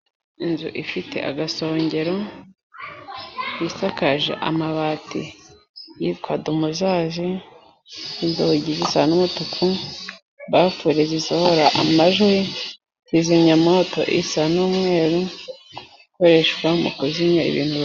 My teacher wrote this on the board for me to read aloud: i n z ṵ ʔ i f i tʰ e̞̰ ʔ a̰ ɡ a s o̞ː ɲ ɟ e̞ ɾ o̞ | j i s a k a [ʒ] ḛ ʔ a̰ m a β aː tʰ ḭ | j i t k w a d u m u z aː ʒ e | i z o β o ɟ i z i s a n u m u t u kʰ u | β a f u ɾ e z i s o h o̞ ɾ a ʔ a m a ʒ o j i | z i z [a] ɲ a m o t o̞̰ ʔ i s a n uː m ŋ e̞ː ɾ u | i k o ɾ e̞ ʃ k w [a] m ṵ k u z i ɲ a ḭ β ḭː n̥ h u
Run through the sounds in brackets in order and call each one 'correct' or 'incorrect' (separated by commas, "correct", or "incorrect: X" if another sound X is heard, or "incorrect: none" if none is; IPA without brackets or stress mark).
correct, incorrect: i, correct